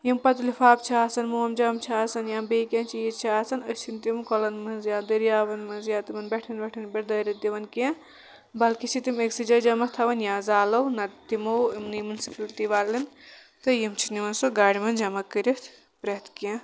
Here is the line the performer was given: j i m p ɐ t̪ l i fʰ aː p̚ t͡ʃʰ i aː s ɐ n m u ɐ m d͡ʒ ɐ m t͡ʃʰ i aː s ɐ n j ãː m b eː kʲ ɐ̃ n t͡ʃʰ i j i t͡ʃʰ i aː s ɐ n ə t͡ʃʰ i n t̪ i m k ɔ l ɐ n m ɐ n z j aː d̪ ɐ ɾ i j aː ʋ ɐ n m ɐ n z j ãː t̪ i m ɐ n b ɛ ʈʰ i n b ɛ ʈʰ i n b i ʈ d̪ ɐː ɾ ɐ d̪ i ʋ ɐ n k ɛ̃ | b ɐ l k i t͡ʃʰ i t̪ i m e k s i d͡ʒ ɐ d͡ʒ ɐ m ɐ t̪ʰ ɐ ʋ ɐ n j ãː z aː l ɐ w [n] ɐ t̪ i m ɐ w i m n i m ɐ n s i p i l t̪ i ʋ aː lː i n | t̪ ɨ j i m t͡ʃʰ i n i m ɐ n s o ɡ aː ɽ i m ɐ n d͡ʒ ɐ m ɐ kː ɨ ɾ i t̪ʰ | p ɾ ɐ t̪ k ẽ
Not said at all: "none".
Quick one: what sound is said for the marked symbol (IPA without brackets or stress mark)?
n